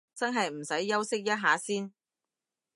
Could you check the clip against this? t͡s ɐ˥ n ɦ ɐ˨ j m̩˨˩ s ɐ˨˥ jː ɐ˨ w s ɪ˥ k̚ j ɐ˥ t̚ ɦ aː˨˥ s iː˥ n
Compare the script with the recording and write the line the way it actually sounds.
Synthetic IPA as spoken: t͡s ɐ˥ n ɦ ɐ˨ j m̩˨˩ s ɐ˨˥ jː ɐ˥ w s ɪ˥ k̚ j ɐ˥ t̚ ɦ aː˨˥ s iː˥ n